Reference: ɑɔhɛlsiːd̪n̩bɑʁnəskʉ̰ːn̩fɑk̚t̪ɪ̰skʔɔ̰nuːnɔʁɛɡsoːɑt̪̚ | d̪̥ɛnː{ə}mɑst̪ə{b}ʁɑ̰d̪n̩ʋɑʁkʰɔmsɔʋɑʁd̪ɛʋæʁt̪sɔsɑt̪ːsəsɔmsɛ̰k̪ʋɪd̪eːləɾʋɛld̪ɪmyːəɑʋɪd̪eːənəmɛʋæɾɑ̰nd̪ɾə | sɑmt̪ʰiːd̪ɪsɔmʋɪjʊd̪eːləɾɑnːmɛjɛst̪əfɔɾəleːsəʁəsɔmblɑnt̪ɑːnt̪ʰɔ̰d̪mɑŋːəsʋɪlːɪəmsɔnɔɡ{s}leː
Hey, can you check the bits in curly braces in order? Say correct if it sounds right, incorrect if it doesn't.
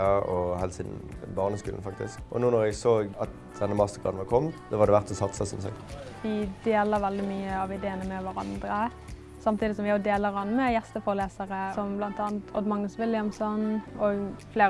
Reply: correct, incorrect, incorrect

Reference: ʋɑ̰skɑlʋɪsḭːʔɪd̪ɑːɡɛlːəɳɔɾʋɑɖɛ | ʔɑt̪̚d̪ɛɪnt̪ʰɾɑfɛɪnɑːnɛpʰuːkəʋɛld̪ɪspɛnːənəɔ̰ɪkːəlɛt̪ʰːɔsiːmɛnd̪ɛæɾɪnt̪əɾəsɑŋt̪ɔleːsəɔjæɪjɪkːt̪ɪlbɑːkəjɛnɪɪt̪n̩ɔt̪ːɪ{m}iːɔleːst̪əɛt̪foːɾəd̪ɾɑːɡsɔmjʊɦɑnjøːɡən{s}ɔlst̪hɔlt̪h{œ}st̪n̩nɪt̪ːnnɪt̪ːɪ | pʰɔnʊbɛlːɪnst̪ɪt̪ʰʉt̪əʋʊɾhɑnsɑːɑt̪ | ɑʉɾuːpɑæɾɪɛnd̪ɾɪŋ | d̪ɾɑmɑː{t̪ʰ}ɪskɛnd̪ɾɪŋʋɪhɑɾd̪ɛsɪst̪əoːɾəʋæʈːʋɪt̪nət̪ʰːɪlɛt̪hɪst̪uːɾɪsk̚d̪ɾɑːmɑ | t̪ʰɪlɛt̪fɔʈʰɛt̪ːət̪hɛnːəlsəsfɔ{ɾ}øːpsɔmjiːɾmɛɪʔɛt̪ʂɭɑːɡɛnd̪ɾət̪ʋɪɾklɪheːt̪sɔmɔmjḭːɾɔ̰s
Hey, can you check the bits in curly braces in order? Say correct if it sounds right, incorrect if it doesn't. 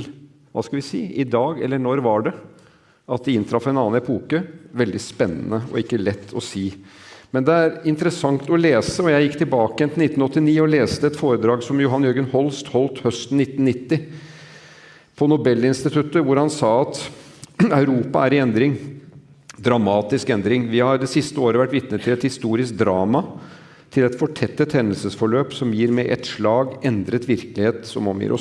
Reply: incorrect, incorrect, correct, incorrect, incorrect

